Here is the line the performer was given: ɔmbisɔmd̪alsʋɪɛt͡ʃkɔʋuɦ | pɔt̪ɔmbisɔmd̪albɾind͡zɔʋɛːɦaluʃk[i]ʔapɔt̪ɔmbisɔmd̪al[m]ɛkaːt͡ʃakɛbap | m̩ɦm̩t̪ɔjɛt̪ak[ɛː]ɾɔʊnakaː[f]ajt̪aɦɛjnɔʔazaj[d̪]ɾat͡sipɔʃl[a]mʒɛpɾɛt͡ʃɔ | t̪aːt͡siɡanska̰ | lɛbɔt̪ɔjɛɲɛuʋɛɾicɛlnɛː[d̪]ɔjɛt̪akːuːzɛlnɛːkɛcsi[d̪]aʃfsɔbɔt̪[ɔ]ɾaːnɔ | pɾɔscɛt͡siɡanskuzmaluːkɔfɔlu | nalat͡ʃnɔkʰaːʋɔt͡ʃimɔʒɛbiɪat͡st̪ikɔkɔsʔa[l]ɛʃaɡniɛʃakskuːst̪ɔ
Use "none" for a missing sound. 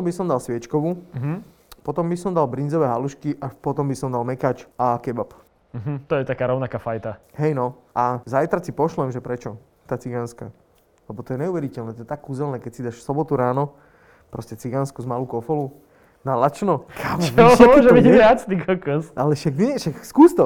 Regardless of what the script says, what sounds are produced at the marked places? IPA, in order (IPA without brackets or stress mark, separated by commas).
i, m, aː, f, t̪, ɛ, t̪, d̪, u, l